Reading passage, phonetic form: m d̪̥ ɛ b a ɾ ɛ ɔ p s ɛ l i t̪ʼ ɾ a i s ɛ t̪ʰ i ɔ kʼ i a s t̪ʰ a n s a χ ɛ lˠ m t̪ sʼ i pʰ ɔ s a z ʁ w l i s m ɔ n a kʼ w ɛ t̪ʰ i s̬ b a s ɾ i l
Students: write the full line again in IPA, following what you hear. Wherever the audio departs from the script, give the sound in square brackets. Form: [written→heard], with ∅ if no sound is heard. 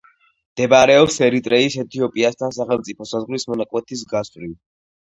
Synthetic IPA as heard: m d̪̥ ɛ b a ɾ ɛ ɔ p s ɛ [l→ɾ] i t̪ʼ ɾ [a→ɛ] i s ɛ t̪ʰ i ɔ [kʼ→pʼ] i a s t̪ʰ a n s a χ ɛ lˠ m t̪ sʼ i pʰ ɔ s a z ʁ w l i s m ɔ n a kʼ w ɛ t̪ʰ i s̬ [b→ɡ] a s ɾ i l

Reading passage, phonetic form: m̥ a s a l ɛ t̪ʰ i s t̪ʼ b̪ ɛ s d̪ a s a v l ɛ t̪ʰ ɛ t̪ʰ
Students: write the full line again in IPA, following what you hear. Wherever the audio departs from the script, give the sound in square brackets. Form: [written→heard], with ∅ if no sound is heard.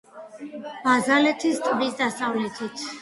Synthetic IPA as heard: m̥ a [s→z] a l ɛ t̪ʰ i s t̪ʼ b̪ [ɛ→i] s d̪ a s a v l ɛ t̪ʰ [ɛ→i] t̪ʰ

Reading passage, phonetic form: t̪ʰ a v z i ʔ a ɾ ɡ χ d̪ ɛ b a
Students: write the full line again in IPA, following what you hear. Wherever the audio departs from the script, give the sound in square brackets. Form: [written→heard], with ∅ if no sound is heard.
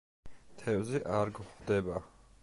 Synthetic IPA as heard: t̪ʰ [a→ɛ] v z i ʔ a ɾ ɡ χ d̪ ɛ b a

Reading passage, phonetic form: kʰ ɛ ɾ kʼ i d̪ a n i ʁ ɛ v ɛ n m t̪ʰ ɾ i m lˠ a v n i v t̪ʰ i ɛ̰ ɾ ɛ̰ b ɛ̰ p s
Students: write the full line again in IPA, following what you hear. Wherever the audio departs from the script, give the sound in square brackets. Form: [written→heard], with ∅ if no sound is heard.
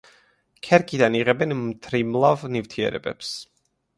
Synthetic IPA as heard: kʰ ɛ ɾ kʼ i d̪ a n i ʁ ɛ [v→b] ɛ n m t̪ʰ ɾ i m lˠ a v n i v t̪ʰ i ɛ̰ ɾ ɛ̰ b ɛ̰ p s

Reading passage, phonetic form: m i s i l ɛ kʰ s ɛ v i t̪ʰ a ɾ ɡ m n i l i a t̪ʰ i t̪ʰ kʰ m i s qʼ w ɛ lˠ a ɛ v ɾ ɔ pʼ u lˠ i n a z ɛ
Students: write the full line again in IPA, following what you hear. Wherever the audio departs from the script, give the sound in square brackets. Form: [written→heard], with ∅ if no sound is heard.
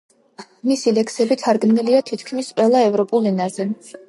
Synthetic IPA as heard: m i s i l ɛ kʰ s ɛ [v→b] i t̪ʰ a ɾ ɡ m n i l i a t̪ʰ i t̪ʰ kʰ m i s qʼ w ɛ lˠ a ɛ v ɾ ɔ pʼ u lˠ i n a z ɛ

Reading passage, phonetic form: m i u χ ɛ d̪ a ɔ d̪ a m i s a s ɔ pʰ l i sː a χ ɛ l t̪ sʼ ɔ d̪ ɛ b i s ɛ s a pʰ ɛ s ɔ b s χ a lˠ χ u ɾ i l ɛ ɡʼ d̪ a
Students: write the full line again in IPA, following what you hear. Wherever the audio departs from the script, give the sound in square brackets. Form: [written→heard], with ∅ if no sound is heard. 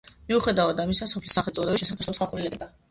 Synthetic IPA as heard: m i u χ ɛ d̪ a ɔ d̪ a m i s a s ɔ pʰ l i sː a χ ɛ l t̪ sʼ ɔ d̪ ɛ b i [s→ʃ] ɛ s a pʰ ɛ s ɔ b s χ a lˠ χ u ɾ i l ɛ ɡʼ d̪ a

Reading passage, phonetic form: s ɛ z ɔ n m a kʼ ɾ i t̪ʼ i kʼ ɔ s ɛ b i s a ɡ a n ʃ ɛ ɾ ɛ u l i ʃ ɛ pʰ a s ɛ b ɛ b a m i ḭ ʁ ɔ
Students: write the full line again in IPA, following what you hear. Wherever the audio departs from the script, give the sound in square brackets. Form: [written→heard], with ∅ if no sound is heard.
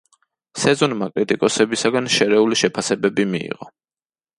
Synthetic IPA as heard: s ɛ z ɔ n m a kʼ ɾ i t̪ʼ i kʼ ɔ s ɛ b i s a ɡ a n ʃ ɛ ɾ ɛ u l i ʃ ɛ pʰ a s ɛ b ɛ b [a→i] m i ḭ ʁ ɔ

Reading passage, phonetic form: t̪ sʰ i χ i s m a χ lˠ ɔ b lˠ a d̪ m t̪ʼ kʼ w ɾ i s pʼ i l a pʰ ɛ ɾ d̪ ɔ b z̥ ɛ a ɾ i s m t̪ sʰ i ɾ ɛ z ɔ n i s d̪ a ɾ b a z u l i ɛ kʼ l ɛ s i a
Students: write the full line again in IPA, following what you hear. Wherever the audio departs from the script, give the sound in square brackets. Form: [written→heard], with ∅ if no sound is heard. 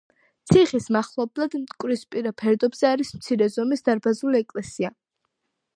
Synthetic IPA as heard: t̪ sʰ i χ i s m a χ lˠ ɔ b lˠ a d̪ m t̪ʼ kʼ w ɾ i s pʼ i [l→ɾ] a pʰ ɛ ɾ d̪ ɔ b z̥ ɛ a ɾ i s m t̪ sʰ i ɾ ɛ z ɔ [n→m] i s d̪ a ɾ b a z u l i ɛ kʼ l ɛ s i a

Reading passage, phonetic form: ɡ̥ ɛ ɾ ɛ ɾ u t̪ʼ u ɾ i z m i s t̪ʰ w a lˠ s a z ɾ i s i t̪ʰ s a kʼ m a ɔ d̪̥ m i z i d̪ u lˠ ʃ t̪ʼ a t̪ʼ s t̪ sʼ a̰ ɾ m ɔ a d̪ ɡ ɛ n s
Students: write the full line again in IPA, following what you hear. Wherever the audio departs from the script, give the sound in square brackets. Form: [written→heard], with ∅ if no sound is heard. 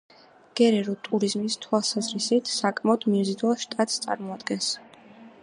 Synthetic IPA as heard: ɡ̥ ɛ ɾ ɛ ɾ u t̪ʼ u ɾ i z m i s t̪ʰ w a lˠ s a z ɾ i s i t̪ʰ s a kʼ m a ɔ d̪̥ m i z i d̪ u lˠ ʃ t̪ʼ a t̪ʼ s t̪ sʼ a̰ ɾ m ɔ a d̪ ɡ ɛ n s

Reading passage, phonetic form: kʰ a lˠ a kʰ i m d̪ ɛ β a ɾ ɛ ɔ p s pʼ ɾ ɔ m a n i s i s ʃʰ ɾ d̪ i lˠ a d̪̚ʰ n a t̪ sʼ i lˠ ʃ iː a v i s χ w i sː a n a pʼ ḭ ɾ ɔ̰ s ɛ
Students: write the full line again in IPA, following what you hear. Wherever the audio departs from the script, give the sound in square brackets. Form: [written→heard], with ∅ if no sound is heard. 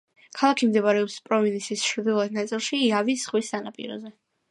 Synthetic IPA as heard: kʰ a lˠ a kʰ i m d̪ ɛ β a ɾ ɛ ɔ p s pʼ ɾ ɔ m [a→i] n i s i s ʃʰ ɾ d̪ i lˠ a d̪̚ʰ n a t̪ sʼ i lˠ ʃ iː a v i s χ w i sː a n a pʼ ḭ ɾ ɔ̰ [s→z] ɛ

